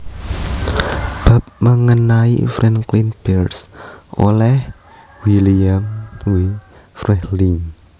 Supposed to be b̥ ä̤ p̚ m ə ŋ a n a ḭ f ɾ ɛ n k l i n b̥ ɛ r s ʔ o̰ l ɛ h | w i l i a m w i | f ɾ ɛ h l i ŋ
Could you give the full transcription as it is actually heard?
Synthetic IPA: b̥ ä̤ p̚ m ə ŋ ə n a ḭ f ɾ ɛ n k l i n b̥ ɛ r s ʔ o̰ l ɛ h | w i l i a m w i | f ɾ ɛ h l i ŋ

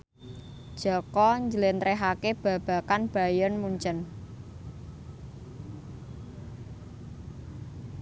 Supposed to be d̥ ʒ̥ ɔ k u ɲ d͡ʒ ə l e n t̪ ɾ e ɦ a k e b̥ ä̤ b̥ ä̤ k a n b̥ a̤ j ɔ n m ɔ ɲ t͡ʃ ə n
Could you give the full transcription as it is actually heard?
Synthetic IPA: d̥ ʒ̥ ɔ k ɔ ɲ d͡ʒ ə l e n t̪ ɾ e ɦ a k e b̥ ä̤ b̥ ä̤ k a n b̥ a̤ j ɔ n m u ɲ t͡ʃ ə n

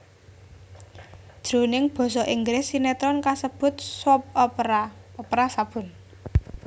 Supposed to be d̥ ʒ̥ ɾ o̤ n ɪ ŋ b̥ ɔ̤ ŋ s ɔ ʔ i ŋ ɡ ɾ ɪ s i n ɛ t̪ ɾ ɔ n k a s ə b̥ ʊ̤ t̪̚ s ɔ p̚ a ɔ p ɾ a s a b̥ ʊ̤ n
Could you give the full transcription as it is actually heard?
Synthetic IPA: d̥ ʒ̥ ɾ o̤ n ɪ ŋ b̥ ɔ̤ s ɔ ʔ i ŋ ɡ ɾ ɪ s i n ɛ t̪ ɾ ɔ n k a s ə b̥ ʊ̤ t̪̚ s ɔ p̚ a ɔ p ɾ a s a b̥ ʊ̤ n

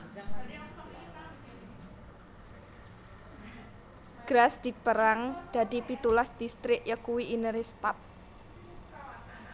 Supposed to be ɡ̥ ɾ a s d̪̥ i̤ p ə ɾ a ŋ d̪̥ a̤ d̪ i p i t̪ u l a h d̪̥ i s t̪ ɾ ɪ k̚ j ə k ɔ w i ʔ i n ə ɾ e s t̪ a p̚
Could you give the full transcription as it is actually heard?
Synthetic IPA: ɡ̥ ɾ a s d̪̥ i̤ p ə ɾ a ŋ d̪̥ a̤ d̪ i p i t̪ u l a s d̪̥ i s t̪ ɾ ɪ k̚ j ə k u w i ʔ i n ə ɾ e s t̪ a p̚

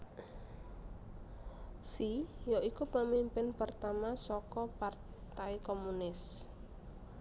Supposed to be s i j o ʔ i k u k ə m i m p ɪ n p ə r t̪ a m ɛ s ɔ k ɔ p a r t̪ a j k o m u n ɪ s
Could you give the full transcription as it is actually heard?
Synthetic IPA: s i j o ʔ i k u p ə m i m p ɪ n p ə r t̪ a m a s ɔ k ɔ p a r t̪ a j k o m u n ɪ s

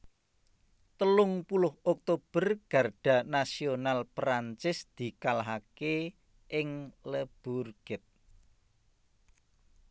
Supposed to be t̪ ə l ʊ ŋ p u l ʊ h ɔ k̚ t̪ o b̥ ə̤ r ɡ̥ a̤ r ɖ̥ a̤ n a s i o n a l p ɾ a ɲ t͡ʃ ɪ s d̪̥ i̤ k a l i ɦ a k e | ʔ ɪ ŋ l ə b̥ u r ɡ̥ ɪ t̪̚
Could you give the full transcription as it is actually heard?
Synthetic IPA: t̪ ə l ʊ ŋ p u l ʊ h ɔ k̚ t̪ o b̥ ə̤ r ɡ̥ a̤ r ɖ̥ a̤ n a s i o n a l p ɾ a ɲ t͡ʃ ɪ s d̪̥ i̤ k a l a ɦ a k e | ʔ ɪ ŋ l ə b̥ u r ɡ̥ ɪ t̪̚

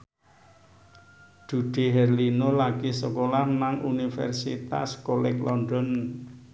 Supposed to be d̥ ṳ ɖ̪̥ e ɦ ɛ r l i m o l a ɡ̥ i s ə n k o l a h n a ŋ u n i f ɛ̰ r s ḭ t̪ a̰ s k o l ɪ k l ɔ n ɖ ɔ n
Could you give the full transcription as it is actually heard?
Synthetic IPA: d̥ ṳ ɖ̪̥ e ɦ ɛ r l i n o l a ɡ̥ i s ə k o l a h n a ŋ u n i f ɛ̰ r s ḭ t̪ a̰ s k o l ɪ k l ɔ n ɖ ɔ n

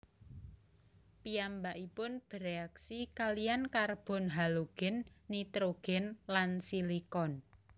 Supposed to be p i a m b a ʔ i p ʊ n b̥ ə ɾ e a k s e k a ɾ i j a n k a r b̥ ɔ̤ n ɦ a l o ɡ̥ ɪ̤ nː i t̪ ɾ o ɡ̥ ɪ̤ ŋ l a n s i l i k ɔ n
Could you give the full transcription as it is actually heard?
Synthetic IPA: p i a m b a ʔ i p ʊ n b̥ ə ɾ e a k s i k a l i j a n k a r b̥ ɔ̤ n ɦ a l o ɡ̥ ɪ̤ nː i t̪ ɾ o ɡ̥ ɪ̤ n l a n s i l i k ɔ n

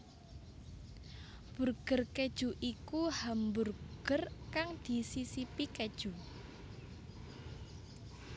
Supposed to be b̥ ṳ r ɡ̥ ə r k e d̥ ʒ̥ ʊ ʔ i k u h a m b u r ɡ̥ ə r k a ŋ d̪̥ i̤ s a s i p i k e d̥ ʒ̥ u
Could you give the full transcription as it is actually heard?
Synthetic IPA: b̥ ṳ r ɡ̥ ə r k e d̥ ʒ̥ u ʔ i k u h a m b u r ɡ̥ ə r k a ŋ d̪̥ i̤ s i s i p i k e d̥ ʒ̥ u

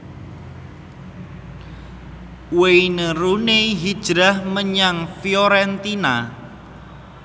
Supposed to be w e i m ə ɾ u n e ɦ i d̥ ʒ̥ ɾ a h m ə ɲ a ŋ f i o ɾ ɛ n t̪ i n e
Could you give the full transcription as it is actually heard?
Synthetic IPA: w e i n ə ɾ u n e ɦ i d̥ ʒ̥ ɾ a h m ə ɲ a ŋ f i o ɾ ɛ n t̪ i n a

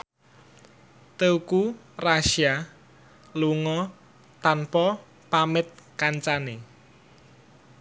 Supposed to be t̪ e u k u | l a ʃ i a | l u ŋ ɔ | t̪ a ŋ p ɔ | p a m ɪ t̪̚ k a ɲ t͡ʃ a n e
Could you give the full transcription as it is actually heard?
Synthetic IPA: t̪ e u k u | r a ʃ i a | l u ŋ ɔ | t̪ a n p ɔ | p a m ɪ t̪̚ k a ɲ t͡ʃ a n e

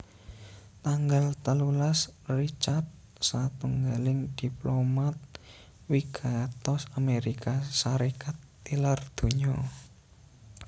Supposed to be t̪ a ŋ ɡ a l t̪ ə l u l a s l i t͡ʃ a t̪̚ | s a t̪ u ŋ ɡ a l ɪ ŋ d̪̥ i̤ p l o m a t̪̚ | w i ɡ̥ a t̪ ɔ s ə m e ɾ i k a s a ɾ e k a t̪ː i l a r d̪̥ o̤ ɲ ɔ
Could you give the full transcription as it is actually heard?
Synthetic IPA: t̪ a ŋ ɡ a l t̪ ə l u l a s r i t͡ʃ a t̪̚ | s a t̪ u ŋ ɡ a l ɪ ŋ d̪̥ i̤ p l o m a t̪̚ | w i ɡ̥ a t̪ ɔ s a m e ɾ i k a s a ɾ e k a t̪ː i l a r d̪̥ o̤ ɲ ɔ

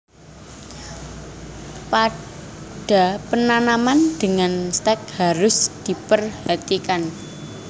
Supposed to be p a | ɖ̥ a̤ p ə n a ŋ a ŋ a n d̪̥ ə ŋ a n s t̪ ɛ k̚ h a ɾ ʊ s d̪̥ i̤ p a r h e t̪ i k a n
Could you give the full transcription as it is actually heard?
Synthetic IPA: p a | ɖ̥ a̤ p ə n a n a m a n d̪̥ ə ŋ a n s t̪ ɛ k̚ h a ɾ ʊ s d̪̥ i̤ p ə r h a t̪ i k a n

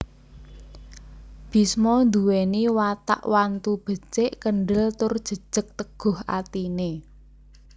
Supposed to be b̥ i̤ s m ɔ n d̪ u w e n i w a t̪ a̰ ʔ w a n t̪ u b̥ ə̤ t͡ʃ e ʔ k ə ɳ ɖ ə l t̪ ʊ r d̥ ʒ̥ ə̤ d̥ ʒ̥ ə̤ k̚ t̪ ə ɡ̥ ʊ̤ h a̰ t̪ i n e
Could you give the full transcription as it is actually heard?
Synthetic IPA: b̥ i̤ s m ɔ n d̪ u w e n i w a t̪ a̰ ʔ w a n t̪ u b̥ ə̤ t͡ʃ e ʔ k ə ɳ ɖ ə l t̪ ʊ r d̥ ʒ̥ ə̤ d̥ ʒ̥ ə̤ k̚ t̪ ə ɡ̥ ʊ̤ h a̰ t̪ i n e

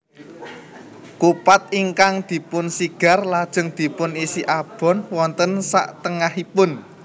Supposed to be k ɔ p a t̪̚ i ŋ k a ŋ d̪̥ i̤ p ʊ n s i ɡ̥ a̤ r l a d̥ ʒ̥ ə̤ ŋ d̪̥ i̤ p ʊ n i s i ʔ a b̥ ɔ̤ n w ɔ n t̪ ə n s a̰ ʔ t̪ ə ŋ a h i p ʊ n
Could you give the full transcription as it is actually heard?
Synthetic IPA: k u p a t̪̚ i ŋ k a ŋ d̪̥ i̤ p ʊ n s i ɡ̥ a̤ r l a d̥ ʒ̥ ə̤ ŋ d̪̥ i̤ p ʊ n i s i ʔ a b̥ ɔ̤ n w ɔ n t̪ ə n s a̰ ʔ t̪ ə ŋ a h i p ʊ n

